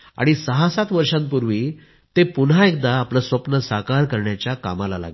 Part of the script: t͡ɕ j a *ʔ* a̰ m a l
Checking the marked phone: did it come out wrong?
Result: yes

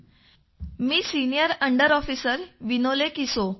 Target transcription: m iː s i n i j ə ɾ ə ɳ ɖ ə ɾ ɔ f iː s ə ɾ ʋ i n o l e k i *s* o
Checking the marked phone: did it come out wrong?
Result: no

